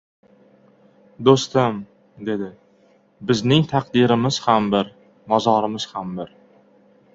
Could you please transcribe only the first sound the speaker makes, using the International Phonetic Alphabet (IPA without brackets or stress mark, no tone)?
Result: d̪